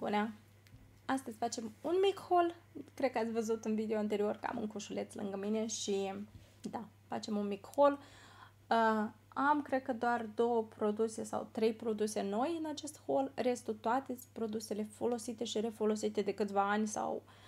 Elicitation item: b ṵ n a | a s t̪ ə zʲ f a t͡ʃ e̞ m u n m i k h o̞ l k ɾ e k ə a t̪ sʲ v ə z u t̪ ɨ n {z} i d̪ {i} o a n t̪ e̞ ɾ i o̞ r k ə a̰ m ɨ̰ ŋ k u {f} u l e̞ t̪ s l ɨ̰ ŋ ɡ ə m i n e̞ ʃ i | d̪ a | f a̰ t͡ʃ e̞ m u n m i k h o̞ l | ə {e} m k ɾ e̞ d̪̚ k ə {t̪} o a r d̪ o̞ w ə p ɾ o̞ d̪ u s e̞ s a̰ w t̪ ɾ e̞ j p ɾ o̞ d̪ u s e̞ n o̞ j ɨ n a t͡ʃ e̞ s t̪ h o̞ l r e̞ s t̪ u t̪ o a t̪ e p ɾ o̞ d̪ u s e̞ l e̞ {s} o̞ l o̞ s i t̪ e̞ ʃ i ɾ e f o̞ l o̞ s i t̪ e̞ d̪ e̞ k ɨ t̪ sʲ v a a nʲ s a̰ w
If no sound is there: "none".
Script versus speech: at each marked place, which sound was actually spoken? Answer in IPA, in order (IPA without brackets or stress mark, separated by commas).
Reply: v, e, ʃ, a, d̪, f